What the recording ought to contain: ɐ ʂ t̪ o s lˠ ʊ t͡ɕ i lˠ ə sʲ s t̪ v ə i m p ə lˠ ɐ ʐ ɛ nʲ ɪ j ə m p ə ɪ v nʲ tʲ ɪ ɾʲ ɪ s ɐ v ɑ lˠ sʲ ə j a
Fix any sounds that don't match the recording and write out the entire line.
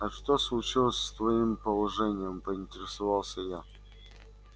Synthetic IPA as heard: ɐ ʂ t̪ o s lˠ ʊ t͡ɕ i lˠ ə sʲ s t̪ v ɐ i m p ə lˠ ɐ ʐ ɛ nʲ ɪ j ə m p ə ɪ nʲ tʲ ɪ ɾʲ ɪ s ɐ v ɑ lˠ sʲ ə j a